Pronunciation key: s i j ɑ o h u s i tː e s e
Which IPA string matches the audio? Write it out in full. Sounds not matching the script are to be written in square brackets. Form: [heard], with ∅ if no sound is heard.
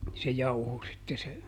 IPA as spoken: s [e] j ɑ [u] h [o] s i tː e s e

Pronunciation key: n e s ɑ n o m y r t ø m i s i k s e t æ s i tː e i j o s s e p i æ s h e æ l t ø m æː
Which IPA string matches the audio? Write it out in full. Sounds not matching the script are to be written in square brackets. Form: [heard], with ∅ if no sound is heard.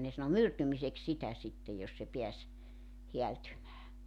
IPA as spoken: n e s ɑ n o m y r t [y] m i s [e] k s [i] t æ s i tː e [j] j o s s e p i æ s h e æ l t [y] m æː

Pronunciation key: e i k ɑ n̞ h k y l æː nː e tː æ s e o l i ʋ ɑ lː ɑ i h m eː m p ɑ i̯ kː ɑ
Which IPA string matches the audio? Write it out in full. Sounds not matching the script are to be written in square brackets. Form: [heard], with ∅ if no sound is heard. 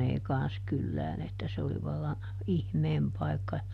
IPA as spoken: e i k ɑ n̞ [s] k y [lː] æː [n] e tː æ s e o l i ʋ ɑ lː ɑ i h m eː m p ɑ i̯ kː ɑ

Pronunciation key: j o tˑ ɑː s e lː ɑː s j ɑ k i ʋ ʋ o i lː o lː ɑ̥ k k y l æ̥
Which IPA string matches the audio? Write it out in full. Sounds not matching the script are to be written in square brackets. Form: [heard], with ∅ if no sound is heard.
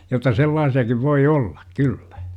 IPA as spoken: j o tˑ [ɑ] s e lː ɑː s [i] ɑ k i ʋ ʋ o i [∅] o lː ɑ̥ k k y [lː] æ̥

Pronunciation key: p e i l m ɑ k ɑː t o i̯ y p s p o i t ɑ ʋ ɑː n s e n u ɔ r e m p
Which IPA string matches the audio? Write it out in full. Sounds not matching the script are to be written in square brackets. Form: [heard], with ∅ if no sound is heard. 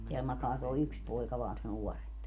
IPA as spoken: [t] e [æ] l m ɑ k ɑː t o i̯ y [k] s p o i [k] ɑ ʋ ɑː n s e n u ɔ r e m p

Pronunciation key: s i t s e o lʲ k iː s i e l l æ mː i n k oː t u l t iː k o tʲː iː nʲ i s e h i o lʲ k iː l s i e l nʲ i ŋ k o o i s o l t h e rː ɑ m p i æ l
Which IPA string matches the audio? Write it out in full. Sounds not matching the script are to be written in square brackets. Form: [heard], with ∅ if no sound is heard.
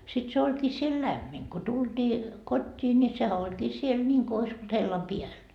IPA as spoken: s i t s e o lʲ k iː s i e l l æ mː i n k [o] t u l t iː k o tʲː iː nʲ i s e h [æ] o lʲ k iː [∅] s i e l nʲ i ŋ k o o i s o l t h e [lː] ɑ m p i æ l

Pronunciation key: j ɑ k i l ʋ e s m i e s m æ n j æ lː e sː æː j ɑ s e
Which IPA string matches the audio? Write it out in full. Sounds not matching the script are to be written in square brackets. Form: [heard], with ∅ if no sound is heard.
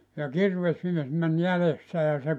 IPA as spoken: j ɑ k i [r] ʋ e s m i e s m æ n j æ [l] e sː [æ] j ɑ s e

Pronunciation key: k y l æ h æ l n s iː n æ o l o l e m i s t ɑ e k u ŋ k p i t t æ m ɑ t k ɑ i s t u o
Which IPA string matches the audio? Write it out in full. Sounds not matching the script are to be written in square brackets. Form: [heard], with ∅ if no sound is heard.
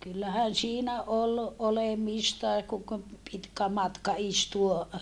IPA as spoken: k y [lː] æ h æ [∅] n s iː n æ o l o l e m i s t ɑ e k u ŋ k p i t [k] æ m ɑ t k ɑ i s t u o

